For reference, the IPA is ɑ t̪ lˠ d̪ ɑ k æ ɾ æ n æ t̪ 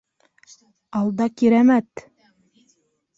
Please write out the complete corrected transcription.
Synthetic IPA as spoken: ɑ lˠ d̪ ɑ k i ɾ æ m æ t̪